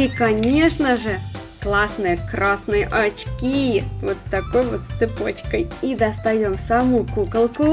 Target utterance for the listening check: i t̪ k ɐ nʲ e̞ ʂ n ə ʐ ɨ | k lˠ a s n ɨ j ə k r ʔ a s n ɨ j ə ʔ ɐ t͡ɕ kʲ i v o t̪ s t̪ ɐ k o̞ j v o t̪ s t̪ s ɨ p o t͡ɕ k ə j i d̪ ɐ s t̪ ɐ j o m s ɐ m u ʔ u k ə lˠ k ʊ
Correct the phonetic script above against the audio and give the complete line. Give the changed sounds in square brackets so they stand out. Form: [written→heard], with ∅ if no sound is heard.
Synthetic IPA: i [t̪→∅] k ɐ nʲ e̞ ʂ n ə ʐ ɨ | k lˠ a s n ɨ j ə k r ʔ a s n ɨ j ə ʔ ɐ t͡ɕ kʲ i v o t̪ s t̪ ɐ k o̞ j v o t̪ s t̪ s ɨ p o t͡ɕ k ə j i d̪ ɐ s t̪ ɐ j o m s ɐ m u [ʔ→k] u k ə lˠ k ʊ